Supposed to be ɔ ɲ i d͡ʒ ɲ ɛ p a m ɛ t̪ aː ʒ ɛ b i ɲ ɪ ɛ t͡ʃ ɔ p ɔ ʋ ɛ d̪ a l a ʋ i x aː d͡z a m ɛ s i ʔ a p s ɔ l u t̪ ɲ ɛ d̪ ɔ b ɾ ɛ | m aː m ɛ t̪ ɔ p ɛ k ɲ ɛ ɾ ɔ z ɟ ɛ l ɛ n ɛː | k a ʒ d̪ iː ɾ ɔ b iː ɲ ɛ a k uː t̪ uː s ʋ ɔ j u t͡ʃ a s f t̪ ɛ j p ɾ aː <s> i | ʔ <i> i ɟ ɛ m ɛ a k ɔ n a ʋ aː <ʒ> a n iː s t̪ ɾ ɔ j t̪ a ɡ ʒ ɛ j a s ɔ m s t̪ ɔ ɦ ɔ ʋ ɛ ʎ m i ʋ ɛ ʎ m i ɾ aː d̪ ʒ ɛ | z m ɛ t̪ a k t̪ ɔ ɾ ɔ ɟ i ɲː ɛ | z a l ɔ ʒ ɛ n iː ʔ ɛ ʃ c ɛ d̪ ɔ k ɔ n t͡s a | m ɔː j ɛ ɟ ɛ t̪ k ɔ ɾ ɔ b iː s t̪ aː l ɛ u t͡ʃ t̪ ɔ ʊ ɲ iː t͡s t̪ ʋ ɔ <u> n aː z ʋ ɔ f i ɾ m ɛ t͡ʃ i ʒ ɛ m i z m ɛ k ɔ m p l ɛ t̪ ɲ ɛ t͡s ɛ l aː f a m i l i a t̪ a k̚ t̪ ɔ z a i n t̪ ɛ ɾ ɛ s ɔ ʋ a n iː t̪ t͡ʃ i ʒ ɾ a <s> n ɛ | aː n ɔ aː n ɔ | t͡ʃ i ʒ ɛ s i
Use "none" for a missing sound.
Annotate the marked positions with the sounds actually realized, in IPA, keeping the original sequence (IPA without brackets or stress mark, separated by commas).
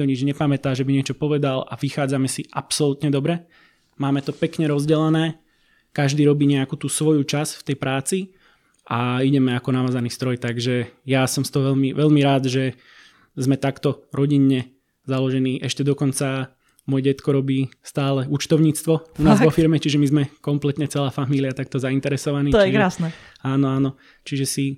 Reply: t͡s, a, z, u, s